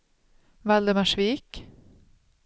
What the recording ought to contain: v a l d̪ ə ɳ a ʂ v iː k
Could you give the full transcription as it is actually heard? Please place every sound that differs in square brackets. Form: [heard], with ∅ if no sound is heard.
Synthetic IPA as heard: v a l d̪ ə [m] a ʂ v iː k